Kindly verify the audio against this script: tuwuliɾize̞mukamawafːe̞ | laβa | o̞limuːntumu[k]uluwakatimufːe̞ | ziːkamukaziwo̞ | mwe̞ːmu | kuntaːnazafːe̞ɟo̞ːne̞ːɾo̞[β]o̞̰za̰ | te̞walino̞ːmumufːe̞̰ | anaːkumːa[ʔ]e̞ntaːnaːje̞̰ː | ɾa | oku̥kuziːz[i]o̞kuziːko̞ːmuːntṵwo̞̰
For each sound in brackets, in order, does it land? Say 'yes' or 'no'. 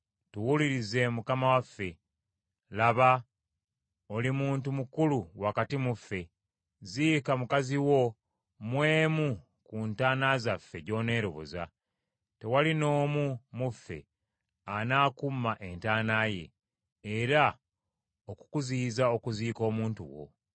yes, yes, yes, no

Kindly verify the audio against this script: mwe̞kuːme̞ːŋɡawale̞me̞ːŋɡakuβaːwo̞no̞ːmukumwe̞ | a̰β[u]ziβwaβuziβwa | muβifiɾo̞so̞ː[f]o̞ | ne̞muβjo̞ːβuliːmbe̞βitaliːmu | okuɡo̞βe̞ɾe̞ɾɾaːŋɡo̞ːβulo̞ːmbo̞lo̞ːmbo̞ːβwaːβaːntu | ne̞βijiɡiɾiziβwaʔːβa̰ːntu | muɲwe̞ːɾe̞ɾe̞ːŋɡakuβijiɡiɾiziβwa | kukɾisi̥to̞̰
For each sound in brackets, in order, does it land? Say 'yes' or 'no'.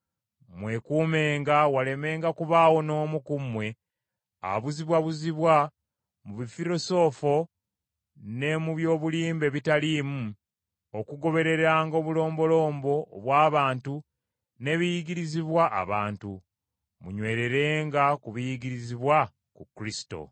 yes, yes

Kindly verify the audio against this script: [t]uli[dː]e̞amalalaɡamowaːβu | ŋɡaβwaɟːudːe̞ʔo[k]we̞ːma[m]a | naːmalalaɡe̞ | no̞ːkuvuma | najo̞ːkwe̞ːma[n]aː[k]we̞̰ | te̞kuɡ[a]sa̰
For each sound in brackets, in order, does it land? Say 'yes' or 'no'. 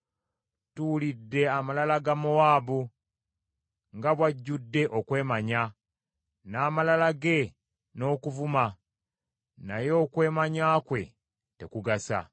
yes, yes, yes, no, no, yes, yes

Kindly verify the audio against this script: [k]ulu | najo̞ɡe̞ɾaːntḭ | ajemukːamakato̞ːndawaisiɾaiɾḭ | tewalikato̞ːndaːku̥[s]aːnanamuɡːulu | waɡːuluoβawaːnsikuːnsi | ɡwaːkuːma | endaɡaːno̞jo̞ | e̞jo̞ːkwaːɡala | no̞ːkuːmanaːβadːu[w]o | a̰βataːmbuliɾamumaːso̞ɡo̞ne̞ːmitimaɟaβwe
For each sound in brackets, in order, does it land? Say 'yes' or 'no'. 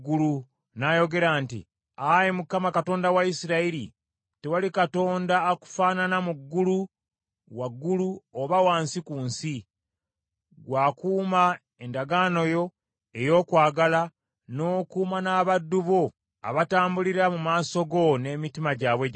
no, no, no

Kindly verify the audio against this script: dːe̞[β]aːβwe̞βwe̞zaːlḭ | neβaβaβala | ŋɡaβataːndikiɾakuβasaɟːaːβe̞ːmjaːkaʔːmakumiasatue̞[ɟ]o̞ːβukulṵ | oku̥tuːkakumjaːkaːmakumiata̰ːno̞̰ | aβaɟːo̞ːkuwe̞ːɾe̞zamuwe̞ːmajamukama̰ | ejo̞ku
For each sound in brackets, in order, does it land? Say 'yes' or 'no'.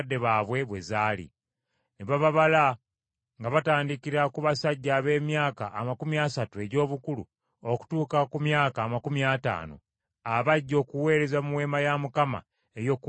yes, yes

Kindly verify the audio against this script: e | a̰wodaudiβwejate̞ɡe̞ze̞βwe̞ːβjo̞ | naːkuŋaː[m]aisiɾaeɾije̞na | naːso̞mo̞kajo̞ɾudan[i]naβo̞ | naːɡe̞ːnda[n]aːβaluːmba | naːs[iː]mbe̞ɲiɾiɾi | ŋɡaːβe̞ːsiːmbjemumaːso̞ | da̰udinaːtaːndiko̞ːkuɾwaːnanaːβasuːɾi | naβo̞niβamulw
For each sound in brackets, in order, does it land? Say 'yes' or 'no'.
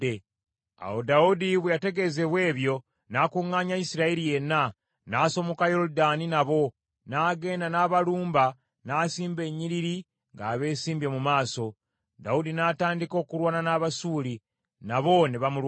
no, yes, yes, yes

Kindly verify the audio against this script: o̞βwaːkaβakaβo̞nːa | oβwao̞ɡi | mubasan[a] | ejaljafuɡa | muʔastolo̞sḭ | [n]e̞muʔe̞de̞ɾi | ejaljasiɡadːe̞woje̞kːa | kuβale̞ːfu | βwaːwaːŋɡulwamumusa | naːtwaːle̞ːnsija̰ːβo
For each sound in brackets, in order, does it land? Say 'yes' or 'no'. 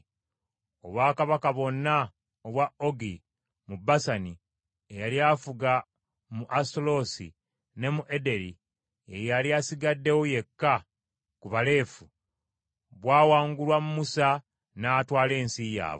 no, yes

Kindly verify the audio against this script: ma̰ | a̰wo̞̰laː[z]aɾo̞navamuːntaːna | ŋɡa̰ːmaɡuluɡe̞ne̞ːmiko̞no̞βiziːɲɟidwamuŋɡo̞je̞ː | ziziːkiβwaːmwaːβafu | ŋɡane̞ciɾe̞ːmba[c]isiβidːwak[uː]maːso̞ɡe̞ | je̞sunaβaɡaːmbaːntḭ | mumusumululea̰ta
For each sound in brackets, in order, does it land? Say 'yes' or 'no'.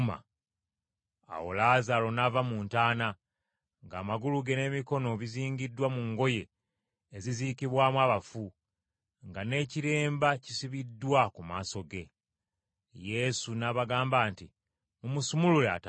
yes, yes, no

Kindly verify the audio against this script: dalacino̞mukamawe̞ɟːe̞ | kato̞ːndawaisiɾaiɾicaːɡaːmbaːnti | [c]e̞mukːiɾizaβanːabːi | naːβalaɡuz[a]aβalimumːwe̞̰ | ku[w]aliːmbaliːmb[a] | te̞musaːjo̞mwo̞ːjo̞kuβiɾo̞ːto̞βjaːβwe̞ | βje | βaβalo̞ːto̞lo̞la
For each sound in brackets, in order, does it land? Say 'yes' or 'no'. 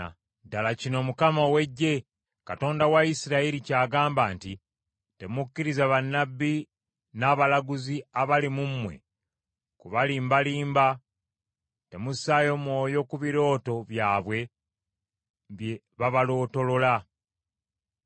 no, no, no, yes

